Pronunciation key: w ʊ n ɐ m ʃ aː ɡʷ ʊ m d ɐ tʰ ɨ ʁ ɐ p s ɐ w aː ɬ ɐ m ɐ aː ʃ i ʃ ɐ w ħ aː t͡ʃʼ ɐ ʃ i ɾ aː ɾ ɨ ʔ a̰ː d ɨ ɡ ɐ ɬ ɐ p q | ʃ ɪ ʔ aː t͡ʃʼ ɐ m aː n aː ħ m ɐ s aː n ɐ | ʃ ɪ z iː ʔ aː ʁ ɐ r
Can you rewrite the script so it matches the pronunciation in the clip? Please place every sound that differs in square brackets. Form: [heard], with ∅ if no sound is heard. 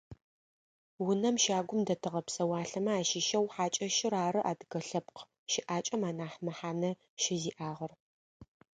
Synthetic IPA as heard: w ʊ n ɐ m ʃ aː ɡʷ ʊ m d ɐ tʰ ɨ ʁ ɐ p s ɐ w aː ɬ ɐ m ɐ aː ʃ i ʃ ɐ w ħ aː t͡ʃʼ ɐ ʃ [ɪ] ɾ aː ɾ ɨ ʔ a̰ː d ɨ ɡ ɐ ɬ ɐ p q | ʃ ɪ ʔ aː t͡ʃʼ ɐ m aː n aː ħ m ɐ [ħ] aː n ɐ | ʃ ɪ z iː ʔ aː ʁ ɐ r